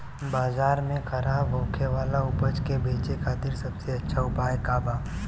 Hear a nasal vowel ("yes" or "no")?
yes